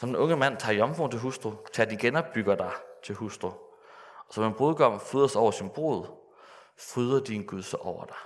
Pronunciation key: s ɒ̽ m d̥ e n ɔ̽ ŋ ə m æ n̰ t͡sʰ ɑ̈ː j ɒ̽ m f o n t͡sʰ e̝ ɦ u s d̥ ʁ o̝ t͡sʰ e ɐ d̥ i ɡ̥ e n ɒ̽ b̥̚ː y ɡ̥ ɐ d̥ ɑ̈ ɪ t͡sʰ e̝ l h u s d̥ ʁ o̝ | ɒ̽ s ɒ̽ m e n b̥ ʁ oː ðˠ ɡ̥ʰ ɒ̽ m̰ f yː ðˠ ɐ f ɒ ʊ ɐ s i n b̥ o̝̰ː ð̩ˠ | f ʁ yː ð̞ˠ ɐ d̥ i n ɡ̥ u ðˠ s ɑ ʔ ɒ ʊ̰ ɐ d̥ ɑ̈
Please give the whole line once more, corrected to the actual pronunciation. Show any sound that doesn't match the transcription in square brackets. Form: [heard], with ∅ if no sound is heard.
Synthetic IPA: s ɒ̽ m d̥ e n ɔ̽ ŋ ə m æ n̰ t͡sʰ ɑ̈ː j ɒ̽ m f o n t͡sʰ e̝ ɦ u s d̥ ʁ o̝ t͡sʰ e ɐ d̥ i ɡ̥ e n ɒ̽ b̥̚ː y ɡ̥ ɐ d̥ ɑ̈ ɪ t͡sʰ e̝ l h u s d̥ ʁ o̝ | ɒ̽ s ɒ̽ m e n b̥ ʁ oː ðˠ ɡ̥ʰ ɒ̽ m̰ f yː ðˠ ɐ [s] ɒ ʊ ɐ s i n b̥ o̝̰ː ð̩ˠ | f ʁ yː ð̞ˠ ɐ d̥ i n ɡ̥ u ðˠ s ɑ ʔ ɒ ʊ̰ ɐ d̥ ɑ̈